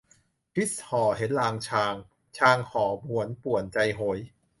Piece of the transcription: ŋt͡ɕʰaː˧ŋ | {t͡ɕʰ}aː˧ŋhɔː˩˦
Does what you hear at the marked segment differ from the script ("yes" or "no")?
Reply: no